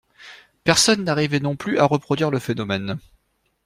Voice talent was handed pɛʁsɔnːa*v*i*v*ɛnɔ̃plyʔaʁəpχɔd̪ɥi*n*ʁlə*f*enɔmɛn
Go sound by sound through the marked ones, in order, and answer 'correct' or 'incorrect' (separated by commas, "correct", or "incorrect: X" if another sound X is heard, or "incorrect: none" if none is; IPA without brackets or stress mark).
incorrect: ʁ, correct, incorrect: none, correct